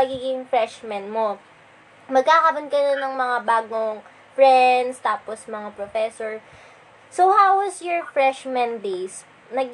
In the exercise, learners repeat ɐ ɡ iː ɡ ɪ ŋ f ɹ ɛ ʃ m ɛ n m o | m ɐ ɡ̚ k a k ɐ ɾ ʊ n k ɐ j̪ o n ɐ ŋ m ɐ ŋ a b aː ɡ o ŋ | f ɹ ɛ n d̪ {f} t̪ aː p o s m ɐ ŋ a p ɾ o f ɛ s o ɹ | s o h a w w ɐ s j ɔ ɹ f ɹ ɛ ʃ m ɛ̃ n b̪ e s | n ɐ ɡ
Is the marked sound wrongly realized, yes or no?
yes